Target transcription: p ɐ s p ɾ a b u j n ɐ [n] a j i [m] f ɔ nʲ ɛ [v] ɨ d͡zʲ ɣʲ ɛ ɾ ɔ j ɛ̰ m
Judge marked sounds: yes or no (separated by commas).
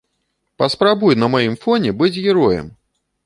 no, yes, no